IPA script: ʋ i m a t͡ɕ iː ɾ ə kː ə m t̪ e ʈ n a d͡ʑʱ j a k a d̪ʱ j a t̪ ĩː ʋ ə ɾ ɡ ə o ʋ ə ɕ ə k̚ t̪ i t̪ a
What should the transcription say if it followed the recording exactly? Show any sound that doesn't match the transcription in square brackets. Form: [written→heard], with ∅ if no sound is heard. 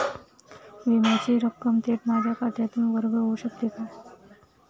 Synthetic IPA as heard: ʋ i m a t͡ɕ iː ɾ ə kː ə m t̪ e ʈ [n→m] a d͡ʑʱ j a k a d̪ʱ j a t̪ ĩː ʋ ə ɾ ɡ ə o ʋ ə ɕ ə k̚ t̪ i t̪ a